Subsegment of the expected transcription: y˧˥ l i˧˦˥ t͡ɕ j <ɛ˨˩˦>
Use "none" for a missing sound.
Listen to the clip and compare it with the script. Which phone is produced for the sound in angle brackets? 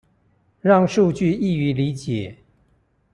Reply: ɛ˨˩˦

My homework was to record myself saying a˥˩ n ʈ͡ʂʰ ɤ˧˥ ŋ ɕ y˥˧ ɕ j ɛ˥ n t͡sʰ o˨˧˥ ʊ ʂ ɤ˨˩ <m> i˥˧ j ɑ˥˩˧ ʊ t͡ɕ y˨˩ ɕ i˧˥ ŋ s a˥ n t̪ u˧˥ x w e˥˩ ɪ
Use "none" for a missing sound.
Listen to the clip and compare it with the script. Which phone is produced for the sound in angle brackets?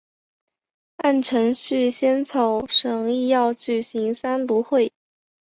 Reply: ŋ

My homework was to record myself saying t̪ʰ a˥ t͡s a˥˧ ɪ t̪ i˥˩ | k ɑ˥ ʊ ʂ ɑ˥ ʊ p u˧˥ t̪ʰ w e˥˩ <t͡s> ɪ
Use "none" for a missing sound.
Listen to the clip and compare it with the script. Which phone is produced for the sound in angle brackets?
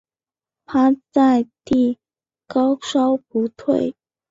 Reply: none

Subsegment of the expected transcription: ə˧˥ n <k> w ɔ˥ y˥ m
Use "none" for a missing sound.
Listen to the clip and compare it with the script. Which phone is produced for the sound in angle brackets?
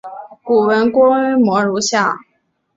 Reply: k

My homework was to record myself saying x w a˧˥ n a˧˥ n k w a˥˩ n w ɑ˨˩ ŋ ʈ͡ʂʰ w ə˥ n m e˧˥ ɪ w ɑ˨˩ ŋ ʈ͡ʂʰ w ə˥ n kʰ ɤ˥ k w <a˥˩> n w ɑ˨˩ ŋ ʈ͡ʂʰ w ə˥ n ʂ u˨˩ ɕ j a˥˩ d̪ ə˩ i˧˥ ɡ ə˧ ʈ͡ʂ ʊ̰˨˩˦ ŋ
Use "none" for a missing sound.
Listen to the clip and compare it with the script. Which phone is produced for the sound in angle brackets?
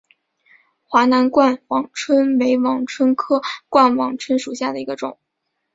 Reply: a˥˩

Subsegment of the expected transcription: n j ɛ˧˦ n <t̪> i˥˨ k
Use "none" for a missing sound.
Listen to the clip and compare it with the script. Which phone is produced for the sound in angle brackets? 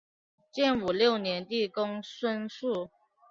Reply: t̪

